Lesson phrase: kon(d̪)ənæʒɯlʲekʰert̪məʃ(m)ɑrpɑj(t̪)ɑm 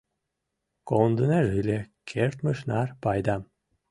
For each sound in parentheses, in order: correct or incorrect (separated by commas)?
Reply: correct, incorrect, incorrect